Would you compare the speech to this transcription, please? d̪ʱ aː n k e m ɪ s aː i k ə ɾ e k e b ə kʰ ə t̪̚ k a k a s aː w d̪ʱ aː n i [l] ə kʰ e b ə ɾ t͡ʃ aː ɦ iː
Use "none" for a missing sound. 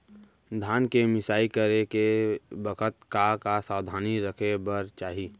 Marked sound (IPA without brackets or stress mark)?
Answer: ɾ